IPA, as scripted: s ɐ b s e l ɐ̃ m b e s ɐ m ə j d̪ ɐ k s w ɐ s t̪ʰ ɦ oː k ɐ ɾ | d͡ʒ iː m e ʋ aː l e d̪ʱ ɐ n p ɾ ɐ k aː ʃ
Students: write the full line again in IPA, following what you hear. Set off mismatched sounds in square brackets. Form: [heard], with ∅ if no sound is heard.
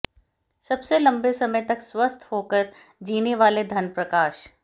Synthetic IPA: s ɐ b s e l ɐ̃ m b e s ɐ m ə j [t̪] ɐ k s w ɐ s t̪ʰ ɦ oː k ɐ ɾ | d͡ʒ iː [n] e ʋ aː l e d̪ʱ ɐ n p ɾ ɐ k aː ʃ

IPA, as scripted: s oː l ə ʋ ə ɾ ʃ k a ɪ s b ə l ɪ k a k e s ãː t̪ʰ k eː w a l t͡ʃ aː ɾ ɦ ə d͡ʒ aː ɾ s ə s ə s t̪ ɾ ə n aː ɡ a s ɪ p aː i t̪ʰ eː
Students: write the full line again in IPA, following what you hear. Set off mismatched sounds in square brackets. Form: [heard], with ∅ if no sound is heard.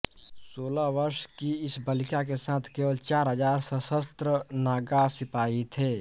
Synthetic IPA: s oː l [a] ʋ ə ɾ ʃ k [i] ɪ s b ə l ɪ k a k e s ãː t̪ʰ k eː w [ə] l t͡ʃ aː ɾ ɦ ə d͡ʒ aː ɾ s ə s ə s t̪ ɾ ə n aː ɡ a s ɪ p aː i t̪ʰ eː

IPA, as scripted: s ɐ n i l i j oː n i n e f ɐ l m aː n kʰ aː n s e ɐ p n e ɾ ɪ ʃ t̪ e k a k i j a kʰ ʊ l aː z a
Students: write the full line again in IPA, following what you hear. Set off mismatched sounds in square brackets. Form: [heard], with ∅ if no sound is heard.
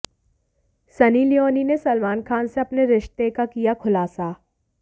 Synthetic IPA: s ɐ n i l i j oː n i n e [s] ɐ l m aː n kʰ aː n s e ɐ p n e ɾ ɪ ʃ t̪ e k a k i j a kʰ ʊ l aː [s] a

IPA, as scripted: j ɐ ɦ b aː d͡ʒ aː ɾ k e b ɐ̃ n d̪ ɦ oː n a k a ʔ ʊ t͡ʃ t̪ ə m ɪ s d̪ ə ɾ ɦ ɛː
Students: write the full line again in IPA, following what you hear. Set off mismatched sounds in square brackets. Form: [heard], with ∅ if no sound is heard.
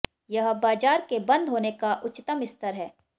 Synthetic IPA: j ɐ ɦ b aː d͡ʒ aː ɾ k e b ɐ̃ n d̪ ɦ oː n [e] k a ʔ ʊ t͡ʃ t̪ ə m ɪ s [t̪] ə ɾ ɦ ɛː

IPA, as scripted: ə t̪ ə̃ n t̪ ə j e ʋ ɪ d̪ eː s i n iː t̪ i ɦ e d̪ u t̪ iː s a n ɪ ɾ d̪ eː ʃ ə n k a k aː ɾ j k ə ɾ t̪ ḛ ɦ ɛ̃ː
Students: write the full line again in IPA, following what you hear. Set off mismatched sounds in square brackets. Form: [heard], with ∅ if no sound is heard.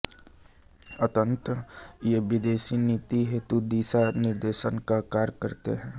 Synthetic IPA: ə t̪ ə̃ n t̪ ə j e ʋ ɪ d̪ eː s i n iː t̪ i ɦ e [t̪] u [d̪] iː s a n ɪ ɾ d̪ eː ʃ ə n k a k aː ɾ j k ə ɾ t̪ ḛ ɦ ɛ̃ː

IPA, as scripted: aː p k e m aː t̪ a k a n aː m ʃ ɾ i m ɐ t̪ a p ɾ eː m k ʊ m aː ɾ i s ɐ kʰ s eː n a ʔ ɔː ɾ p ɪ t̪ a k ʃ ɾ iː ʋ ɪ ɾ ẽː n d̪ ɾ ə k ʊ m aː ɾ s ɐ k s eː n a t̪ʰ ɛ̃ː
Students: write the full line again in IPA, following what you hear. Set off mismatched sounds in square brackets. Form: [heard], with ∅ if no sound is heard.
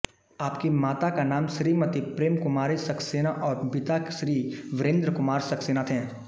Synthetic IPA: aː p k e m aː t̪ a k a n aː m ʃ ɾ i m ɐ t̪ [i] p ɾ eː m k ʊ m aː ɾ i s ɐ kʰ s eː n a ʔ ɔː ɾ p ɪ t̪ a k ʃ ɾ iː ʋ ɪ ɾ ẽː n d̪ ɾ ə k ʊ m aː ɾ s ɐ k s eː n a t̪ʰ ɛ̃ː

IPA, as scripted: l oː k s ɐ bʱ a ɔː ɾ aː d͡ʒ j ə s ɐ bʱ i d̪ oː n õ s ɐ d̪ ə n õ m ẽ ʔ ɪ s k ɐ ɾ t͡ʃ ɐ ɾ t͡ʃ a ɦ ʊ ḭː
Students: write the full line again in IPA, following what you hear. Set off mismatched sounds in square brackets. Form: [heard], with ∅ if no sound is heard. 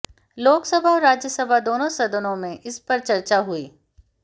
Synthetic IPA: l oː k s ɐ bʱ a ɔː ɾ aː d͡ʒ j ə s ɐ bʱ [a] d̪ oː n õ s ɐ d̪ ə n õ m ẽ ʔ ɪ s [p] ɐ ɾ t͡ʃ ɐ ɾ t͡ʃ a ɦ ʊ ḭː

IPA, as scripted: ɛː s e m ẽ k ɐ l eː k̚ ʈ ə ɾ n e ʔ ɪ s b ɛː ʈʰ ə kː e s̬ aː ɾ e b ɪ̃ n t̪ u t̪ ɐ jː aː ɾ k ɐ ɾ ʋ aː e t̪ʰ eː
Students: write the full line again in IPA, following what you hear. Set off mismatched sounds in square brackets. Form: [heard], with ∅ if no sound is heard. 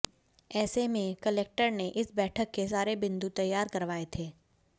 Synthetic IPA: ɛː s e m ẽ k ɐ l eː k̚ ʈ ə ɾ n e ʔ ɪ s b ɛː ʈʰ ə kː e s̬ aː ɾ e b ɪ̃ n [d̪] u t̪ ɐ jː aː ɾ k ɐ ɾ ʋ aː e t̪ʰ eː

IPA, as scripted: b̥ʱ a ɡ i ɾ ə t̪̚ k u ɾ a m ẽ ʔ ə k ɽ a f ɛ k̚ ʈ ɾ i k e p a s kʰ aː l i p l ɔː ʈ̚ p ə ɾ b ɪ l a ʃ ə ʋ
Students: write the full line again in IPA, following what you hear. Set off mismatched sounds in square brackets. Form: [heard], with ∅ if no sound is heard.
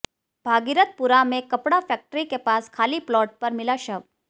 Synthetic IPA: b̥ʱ a ɡ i ɾ ə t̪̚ [p] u ɾ a m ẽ [k] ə [p] ɽ a f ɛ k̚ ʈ ɾ i k e p a s kʰ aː l i p l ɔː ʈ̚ p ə ɾ [m] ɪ l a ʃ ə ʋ

